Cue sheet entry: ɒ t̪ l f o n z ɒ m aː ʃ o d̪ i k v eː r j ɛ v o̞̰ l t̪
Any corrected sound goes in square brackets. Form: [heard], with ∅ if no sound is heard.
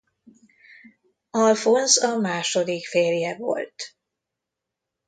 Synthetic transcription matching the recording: ɒ [∅] l f o n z ɒ m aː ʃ o d̪ i k [f] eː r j ɛ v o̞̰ l t̪